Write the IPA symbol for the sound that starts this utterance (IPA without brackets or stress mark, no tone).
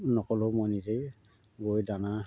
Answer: n